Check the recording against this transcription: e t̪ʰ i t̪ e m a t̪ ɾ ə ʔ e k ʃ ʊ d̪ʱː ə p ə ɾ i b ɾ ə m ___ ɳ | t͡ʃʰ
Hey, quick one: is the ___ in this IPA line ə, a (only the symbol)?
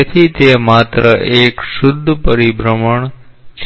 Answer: ə